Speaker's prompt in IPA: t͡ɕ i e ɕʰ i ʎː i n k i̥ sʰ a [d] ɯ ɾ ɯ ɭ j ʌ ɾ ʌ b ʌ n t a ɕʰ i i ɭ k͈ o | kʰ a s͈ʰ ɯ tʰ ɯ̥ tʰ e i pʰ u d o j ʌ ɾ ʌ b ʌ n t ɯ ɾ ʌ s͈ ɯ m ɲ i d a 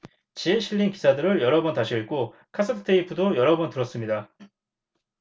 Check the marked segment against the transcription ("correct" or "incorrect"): correct